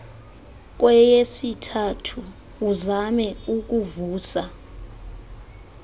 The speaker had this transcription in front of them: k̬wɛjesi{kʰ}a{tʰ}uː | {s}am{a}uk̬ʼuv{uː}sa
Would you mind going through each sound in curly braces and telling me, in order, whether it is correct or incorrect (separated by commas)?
incorrect, correct, incorrect, incorrect, correct